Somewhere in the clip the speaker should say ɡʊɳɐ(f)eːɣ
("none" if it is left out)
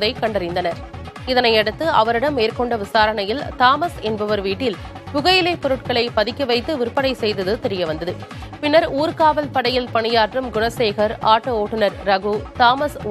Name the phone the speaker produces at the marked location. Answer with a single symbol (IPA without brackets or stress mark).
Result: s